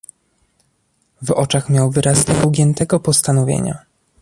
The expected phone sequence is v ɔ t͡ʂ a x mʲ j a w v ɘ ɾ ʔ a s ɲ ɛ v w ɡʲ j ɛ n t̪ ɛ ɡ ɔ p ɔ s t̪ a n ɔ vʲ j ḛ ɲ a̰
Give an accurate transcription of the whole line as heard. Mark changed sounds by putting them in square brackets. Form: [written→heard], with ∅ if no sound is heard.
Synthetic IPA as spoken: v ɔ t͡ʂ a x mʲ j a w v ɘ ɾ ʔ a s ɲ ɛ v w ɡʲ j ɛ n t̪ ɛ ɡ ɔ p ɔ s t̪ a n ɔ vʲ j ḛ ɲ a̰